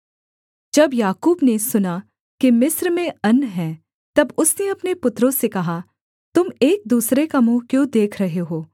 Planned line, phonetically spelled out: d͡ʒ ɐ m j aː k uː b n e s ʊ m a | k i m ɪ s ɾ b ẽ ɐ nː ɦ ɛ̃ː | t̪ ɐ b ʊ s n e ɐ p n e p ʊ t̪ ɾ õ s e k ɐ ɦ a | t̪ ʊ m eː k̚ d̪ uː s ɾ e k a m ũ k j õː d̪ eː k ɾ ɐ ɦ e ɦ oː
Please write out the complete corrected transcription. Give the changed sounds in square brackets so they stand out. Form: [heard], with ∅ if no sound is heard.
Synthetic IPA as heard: d͡ʒ ɐ [b] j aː k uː b n e s ʊ [n] a | k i m ɪ s ɾ [m] ẽ ɐ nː ɦ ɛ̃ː | t̪ ɐ b ʊ s n e ɐ p n e p ʊ t̪ ɾ õ s e k ɐ ɦ a | t̪ ʊ m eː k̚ d̪ uː s ɾ e k a m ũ k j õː d̪ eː [kʰ] ɾ ɐ ɦ e ɦ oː